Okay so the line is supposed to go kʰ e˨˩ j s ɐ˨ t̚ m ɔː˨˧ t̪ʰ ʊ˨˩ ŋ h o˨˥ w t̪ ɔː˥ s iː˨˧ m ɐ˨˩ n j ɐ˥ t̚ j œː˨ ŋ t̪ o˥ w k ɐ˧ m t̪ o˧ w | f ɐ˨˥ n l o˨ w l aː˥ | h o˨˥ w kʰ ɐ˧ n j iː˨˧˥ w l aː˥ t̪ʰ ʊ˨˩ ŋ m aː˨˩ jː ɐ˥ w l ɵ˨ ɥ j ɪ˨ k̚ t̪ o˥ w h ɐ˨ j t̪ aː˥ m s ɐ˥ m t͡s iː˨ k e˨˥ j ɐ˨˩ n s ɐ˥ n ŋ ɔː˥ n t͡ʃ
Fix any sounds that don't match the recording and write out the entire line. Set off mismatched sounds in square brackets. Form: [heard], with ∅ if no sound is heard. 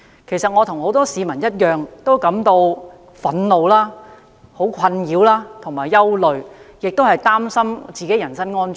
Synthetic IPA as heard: kʰ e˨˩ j s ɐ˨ t̚ [ŋ] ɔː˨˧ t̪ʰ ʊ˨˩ ŋ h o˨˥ w t̪ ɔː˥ s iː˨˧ m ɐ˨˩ n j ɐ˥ t̚ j œː˨ ŋ t̪ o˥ w k [ɐ˨˥] m t̪ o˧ w | f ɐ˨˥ n l o˨ w l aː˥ | h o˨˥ w kʰ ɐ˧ n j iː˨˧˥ w l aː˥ t̪ʰ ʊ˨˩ ŋ m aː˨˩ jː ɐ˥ w l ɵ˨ ɥ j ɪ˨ k̚ t̪ o˥ w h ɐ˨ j t̪ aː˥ m s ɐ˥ m t͡s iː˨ k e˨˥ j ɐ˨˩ n s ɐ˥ n ŋ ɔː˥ n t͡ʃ